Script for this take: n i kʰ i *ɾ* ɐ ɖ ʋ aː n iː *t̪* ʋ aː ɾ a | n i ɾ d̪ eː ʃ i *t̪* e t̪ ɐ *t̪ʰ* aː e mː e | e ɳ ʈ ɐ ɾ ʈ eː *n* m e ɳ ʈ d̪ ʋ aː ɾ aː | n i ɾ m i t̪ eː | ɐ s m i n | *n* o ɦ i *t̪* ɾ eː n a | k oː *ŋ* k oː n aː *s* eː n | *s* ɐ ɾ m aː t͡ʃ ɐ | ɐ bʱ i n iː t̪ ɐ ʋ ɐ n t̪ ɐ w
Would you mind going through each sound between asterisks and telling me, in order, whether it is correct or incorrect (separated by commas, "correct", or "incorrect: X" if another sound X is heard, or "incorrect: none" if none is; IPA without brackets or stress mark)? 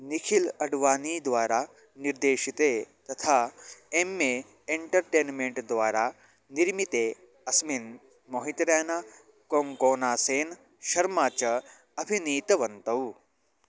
incorrect: l, incorrect: d̪, correct, correct, correct, incorrect: m, correct, correct, correct, incorrect: ʃ